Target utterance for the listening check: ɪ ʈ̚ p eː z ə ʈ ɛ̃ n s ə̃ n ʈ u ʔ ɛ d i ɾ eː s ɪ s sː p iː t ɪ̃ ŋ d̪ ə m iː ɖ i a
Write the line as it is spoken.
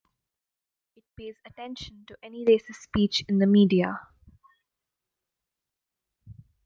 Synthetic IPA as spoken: ɪ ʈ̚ p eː z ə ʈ ɛ̃ n ʃ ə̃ n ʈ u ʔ ɛ n i ɾ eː s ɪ s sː p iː t͡ʃ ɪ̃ n d̪ ə m iː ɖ i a

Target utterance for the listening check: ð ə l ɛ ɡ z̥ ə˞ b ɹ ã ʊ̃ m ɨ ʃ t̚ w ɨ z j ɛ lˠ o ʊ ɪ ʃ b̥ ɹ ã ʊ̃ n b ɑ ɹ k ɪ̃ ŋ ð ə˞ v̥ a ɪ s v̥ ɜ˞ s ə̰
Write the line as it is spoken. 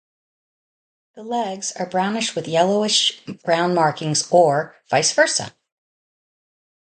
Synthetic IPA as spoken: ð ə l ɛ ɡ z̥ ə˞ b ɹ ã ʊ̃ n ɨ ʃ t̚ w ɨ ð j ɛ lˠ o ʊ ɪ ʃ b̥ ɹ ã ʊ̃ n m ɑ ɹ k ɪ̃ ŋ z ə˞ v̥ a ɪ s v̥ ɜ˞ s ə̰

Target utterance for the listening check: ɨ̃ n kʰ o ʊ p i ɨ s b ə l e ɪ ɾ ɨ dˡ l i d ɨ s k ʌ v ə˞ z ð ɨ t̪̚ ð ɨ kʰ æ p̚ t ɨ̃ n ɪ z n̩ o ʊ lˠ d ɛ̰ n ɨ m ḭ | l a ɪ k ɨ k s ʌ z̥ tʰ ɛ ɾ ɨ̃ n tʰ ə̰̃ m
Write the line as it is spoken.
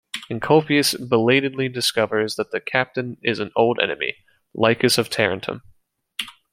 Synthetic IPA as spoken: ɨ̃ n kʰ o ʊ p i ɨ s b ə l e ɪ ɾ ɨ dˡ l i d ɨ s k ʌ v ə˞ z ð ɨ t̪̚ ð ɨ kʰ æ p̚ t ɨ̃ n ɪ z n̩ o ʊ lˠ d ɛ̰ n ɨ m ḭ | l a ɪ k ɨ s ʌ v̥ tʰ ɛ ɹ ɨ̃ n tʰ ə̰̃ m

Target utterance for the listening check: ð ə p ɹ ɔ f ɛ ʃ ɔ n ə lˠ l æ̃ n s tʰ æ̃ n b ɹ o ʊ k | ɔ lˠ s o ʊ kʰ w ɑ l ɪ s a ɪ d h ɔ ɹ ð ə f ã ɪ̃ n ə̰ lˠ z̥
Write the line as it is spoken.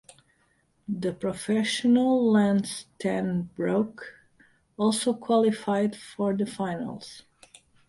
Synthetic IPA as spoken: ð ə p ɹ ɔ f ɛ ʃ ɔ n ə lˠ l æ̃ n s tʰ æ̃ n b ɹ o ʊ k | ɔ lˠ s o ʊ kʰ w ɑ l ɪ f a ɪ d f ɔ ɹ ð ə f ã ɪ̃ n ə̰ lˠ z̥

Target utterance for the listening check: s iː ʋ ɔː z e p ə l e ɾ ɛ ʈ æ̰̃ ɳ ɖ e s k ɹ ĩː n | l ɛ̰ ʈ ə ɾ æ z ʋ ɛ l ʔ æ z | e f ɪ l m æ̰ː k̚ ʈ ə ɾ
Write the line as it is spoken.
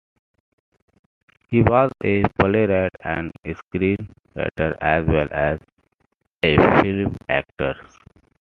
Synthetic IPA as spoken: h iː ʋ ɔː z e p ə l e ɾ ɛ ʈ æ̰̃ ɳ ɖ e s k ɾ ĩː n | ɾ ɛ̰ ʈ ə ɾ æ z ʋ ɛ l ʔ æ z | e f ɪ l m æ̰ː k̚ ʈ ə ɾ

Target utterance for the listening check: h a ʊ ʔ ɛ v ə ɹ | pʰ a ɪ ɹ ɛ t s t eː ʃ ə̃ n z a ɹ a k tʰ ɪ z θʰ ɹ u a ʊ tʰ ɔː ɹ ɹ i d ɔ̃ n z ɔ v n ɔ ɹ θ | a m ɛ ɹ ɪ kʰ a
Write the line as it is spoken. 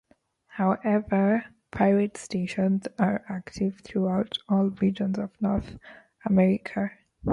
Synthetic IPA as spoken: h a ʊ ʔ ɛ v ə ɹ | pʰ a ɪ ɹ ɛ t s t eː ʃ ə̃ n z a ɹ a k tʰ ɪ v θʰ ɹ u a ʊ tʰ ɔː l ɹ i d͡ʒ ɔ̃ n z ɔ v n ɔ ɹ θ | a m ɛ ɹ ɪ kʰ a

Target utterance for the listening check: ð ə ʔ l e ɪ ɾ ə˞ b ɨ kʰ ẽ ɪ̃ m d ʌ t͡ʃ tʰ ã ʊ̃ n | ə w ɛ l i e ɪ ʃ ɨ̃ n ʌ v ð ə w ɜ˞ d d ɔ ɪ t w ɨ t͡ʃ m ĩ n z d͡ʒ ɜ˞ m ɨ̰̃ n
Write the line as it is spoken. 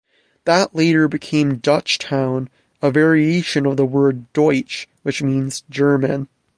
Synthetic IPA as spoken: ð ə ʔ l e ɪ ɾ ə˞ b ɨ kʰ ẽ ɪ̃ m d ʌ t͡ʃ tʰ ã ʊ̃ n | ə v ɛ ɹ i e ɪ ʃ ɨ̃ n ʌ v ð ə w ɜ˞ d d ɔ ɪ t͡ʃ w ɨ t͡ʃ m ĩ n z d͡ʒ ɜ˞ m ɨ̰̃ n

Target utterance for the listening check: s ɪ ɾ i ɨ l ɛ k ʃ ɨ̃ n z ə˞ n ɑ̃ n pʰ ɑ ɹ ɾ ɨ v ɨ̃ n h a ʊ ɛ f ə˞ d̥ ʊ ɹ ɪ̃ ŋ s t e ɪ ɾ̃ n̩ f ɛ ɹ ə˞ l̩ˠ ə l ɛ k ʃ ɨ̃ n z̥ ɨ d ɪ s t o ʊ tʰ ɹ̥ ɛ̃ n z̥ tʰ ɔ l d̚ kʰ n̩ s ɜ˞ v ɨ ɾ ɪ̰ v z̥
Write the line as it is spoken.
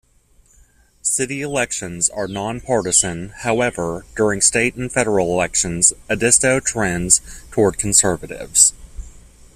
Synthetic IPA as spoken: s ɪ ɾ i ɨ l ɛ k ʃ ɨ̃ n z ə˞ n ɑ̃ n pʰ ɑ ɹ ɾ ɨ z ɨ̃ n h a ʊ ɛ v ə˞ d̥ ʊ ɹ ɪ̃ ŋ s t e ɪ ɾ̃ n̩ f ɛ ɾ ə˞ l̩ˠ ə l ɛ k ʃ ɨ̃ n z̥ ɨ d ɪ s t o ʊ tʰ ɹ̥ ɛ̃ n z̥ tʰ ɔ ɹ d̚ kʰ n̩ s ɜ˞ v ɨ ɾ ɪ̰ v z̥

